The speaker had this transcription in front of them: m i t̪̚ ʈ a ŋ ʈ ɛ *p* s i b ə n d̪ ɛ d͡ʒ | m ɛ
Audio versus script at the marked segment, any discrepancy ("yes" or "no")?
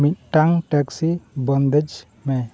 yes